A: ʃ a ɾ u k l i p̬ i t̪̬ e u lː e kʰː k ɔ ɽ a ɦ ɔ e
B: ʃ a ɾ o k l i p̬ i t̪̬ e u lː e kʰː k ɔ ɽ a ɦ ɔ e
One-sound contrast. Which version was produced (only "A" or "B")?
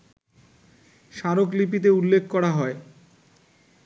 B